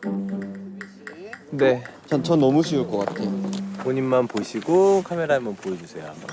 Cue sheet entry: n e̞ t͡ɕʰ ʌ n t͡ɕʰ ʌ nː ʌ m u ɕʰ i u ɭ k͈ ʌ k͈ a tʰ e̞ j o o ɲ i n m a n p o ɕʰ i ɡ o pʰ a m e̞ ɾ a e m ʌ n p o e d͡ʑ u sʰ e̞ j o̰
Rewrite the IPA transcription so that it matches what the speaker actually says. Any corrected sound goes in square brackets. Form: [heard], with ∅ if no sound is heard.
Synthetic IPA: n e̞ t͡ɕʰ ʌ n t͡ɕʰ ʌ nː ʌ m u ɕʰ i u ɭ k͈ ʌ k͈ a tʰ e̞ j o o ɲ i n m a n p o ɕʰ i ɡ o [kʰ] a m e̞ ɾ a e m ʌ n p o e d͡ʑ u sʰ e̞ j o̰

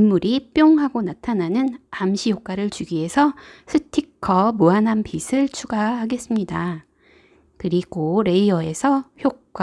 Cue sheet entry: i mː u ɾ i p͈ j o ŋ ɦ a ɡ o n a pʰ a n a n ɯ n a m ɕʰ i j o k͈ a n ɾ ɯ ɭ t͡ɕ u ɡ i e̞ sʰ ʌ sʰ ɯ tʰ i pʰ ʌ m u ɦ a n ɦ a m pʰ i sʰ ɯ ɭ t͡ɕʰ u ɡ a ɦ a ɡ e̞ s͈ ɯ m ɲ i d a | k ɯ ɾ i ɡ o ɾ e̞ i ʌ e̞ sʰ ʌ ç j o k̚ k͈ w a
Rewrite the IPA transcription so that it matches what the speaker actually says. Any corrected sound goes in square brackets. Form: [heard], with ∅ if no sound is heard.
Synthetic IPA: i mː u ɾ i p͈ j o ŋ ɦ a ɡ o n a [tʰ] a n a n ɯ n a m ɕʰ i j o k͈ a [∅] ɾ ɯ ɭ t͡ɕ u ɡ i e̞ sʰ ʌ sʰ ɯ tʰ i [kʰ] ʌ m u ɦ a n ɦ a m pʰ i sʰ ɯ ɭ t͡ɕʰ u ɡ a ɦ a ɡ e̞ s͈ ɯ m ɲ i d a | k ɯ ɾ i ɡ o ɾ e̞ i ʌ e̞ sʰ ʌ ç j o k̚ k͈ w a

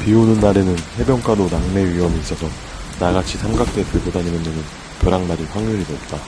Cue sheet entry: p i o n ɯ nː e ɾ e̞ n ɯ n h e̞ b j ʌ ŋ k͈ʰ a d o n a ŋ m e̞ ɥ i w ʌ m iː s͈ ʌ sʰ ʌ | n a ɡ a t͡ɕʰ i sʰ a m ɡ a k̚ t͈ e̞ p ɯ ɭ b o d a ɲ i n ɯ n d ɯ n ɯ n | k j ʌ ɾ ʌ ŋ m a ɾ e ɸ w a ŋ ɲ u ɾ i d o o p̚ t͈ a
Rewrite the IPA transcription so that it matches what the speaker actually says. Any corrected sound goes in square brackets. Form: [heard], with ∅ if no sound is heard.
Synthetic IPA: p i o n ɯ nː [a] ɾ e̞ n ɯ n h e̞ b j ʌ ŋ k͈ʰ a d o n a ŋ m e̞ ɥ i w ʌ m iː s͈ ʌ sʰ ʌ | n a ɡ a t͡ɕʰ i sʰ a m ɡ a k̚ t͈ e̞ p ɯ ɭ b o d a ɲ i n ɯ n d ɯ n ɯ n | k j ʌ ɾ [a] ŋ m a ɾ [i] ɸ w a ŋ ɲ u ɾ i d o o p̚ t͈ a

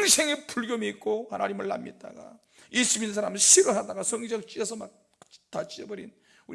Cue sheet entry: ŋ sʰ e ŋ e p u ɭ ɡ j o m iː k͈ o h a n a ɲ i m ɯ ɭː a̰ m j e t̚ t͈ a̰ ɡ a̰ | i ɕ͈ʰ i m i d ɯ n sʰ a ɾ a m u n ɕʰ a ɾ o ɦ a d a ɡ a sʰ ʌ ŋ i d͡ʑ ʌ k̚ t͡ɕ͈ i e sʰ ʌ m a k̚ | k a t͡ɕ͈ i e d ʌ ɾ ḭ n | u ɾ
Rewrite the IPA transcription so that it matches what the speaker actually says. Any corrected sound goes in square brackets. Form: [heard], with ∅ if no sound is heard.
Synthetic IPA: ŋ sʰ e ŋ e p u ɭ ɡ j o m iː k͈ o h a n a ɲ i m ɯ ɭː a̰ m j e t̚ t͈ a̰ ɡ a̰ | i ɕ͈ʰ i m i [n] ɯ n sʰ a ɾ a m [ɯ] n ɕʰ [i] ɾ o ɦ a d a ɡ a sʰ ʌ ŋ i d͡ʑ ʌ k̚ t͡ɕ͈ i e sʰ ʌ m a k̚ | [t] a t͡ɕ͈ i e [b] ʌ ɾ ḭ n | u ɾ

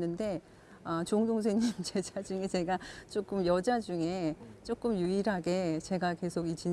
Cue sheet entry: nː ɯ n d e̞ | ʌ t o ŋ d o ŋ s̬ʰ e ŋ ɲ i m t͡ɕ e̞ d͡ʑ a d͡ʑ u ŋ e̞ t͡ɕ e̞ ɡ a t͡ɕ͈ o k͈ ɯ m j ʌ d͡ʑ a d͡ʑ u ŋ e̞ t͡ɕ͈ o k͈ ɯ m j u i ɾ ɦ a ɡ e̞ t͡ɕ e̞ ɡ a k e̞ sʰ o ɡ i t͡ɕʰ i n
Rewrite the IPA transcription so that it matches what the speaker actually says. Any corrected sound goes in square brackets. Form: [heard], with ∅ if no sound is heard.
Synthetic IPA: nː ɯ n d e̞ | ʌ [t͡ɕ] o ŋ d o ŋ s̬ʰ e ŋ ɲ i m t͡ɕ e̞ d͡ʑ a d͡ʑ u ŋ e̞ t͡ɕ e̞ ɡ a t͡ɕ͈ o k͈ ɯ m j ʌ d͡ʑ a d͡ʑ u ŋ e̞ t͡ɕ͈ o k͈ ɯ m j u i ɾ ɦ a ɡ e̞ t͡ɕ e̞ ɡ a k e̞ sʰ o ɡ i [t͡ɕ] i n

